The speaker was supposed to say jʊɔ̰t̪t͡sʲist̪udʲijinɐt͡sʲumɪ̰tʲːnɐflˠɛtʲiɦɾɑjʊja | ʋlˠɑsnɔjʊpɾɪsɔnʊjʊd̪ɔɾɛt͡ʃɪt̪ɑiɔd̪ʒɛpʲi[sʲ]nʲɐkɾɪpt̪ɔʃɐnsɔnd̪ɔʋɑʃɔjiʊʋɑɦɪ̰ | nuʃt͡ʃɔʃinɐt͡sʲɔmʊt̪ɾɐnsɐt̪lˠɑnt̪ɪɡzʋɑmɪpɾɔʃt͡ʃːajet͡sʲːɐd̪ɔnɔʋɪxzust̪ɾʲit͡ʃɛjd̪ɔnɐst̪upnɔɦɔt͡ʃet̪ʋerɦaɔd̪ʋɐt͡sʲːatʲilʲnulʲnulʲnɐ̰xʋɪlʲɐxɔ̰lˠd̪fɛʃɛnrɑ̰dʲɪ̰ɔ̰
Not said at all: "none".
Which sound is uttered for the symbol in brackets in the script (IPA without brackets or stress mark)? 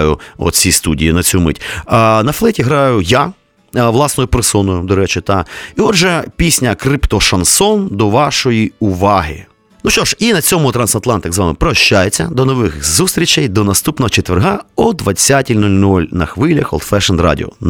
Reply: sʲ